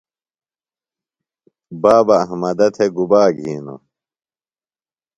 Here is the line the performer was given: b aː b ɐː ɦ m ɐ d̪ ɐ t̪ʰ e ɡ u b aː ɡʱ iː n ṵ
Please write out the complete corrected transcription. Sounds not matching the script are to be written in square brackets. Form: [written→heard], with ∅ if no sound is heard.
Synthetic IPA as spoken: b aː b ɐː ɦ m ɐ d̪ ɐ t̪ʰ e ɡ u b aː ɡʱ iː n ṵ